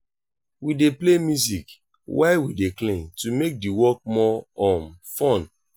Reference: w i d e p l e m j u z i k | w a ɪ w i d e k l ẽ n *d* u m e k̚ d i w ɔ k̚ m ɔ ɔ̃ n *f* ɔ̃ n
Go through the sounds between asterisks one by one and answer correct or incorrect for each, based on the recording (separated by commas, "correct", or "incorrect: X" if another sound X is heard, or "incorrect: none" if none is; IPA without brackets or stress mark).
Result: incorrect: t, correct